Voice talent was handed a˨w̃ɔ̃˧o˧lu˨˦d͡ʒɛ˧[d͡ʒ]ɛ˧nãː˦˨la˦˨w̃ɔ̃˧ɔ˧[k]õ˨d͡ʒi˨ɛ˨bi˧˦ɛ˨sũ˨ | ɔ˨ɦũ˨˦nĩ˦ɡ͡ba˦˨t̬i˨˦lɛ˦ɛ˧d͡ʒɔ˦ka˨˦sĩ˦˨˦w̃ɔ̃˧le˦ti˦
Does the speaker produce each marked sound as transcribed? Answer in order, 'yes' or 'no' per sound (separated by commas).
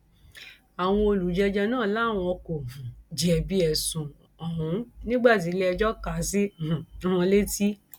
yes, yes